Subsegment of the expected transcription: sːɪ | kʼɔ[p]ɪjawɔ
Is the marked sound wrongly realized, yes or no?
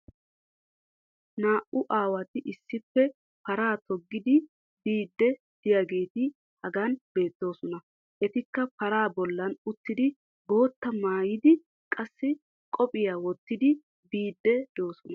yes